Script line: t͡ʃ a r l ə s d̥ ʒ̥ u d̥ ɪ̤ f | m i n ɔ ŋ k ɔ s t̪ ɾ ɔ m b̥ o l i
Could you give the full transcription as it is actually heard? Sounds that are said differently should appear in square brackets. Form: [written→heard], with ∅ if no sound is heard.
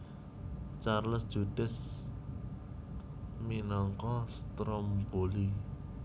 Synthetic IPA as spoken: t͡ʃ a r l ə s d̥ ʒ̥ u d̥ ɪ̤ [f→s] | m i n ɔ ŋ k ɔ s t̪ ɾ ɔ m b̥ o l i